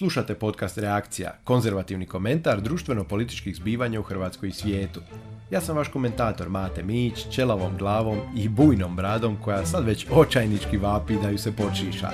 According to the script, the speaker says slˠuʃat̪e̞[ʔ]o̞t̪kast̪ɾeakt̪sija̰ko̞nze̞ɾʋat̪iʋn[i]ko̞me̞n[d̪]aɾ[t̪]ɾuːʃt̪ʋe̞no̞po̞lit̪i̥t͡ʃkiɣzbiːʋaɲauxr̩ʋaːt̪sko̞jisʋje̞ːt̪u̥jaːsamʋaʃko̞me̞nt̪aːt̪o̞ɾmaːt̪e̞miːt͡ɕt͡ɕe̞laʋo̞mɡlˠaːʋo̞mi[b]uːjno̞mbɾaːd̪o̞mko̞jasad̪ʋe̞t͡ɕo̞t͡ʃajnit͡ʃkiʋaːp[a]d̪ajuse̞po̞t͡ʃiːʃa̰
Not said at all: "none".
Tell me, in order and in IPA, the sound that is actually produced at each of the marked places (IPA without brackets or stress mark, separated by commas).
p, i, t̪, d̪, b, i